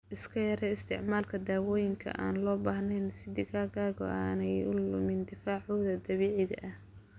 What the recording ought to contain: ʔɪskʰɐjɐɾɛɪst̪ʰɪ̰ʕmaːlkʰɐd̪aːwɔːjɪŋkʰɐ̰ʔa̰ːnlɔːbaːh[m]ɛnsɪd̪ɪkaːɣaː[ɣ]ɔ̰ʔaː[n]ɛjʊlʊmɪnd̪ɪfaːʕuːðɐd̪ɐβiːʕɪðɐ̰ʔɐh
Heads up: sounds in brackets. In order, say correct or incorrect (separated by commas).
incorrect, correct, correct